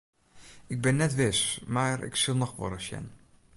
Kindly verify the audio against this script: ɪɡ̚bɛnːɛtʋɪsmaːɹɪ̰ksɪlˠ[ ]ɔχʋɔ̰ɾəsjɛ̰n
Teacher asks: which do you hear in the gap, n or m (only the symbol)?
n